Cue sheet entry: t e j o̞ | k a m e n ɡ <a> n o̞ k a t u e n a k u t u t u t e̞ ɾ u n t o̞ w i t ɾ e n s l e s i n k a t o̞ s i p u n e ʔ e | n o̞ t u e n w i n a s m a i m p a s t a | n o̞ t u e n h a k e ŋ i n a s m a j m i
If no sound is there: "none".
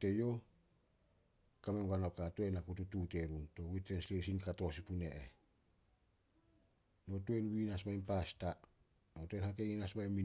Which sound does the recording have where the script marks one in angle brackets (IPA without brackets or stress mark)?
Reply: a